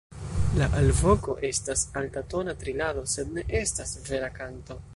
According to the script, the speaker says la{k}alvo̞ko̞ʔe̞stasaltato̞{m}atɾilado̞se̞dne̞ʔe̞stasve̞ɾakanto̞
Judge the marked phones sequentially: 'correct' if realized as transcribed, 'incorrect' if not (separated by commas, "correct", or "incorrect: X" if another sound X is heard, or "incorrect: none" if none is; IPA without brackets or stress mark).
incorrect: ʔ, incorrect: n